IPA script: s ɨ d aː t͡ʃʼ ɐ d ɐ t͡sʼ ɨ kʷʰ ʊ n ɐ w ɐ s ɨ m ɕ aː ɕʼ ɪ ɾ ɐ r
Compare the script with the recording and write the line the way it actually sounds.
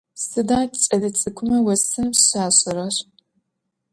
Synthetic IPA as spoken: s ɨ d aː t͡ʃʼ ɐ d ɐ t͡sʼ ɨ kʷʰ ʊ m ɐ w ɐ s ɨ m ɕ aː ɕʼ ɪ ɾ ɐ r